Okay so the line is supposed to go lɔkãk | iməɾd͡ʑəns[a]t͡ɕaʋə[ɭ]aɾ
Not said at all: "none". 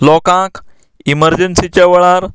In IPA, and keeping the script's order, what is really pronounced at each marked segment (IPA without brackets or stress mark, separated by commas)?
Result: i, ɭ